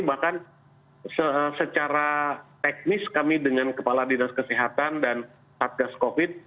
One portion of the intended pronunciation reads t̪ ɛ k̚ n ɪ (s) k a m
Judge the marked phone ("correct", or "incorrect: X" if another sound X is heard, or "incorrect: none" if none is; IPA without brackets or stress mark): correct